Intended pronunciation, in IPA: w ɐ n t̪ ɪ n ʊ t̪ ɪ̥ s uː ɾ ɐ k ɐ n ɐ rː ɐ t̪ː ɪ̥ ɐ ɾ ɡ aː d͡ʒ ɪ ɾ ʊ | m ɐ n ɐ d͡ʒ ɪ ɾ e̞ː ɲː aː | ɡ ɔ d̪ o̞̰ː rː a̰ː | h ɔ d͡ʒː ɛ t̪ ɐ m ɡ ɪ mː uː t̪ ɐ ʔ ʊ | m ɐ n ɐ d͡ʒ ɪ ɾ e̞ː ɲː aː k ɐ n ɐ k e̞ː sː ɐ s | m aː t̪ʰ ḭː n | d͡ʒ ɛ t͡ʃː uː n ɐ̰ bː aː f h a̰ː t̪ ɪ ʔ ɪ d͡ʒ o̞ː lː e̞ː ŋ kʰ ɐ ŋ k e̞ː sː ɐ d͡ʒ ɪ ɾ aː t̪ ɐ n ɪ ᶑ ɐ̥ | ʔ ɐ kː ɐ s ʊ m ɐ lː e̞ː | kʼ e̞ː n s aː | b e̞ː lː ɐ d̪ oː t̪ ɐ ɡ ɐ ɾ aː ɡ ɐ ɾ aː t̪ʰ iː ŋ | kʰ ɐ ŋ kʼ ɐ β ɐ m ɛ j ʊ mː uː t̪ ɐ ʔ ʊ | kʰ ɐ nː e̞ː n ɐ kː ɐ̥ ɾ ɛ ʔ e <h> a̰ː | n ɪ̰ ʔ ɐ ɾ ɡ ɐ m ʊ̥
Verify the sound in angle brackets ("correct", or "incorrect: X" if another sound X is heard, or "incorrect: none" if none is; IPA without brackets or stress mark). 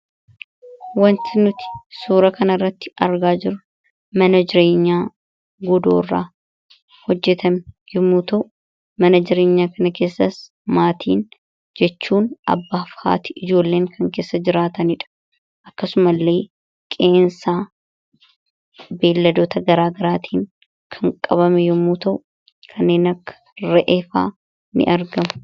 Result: incorrect: f